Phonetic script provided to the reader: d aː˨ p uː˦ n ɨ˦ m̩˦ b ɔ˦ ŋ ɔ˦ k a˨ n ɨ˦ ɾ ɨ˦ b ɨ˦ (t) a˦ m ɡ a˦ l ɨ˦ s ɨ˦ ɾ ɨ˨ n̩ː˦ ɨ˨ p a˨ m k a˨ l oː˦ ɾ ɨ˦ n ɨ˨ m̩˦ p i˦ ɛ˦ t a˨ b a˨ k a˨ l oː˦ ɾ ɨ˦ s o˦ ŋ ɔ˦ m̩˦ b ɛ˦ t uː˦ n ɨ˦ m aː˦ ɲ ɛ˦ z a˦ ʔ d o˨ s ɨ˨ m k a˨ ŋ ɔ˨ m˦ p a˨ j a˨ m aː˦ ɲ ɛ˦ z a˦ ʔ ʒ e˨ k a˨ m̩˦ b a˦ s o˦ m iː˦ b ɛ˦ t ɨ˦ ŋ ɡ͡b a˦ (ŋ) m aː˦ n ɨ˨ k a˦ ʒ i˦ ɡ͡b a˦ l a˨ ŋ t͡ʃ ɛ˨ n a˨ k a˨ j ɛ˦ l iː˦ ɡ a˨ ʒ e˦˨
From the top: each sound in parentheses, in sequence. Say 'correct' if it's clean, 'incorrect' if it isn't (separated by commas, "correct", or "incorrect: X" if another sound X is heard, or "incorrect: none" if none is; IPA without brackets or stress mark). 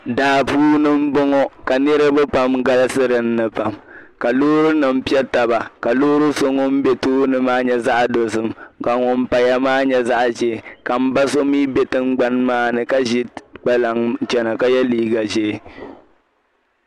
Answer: incorrect: p, incorrect: n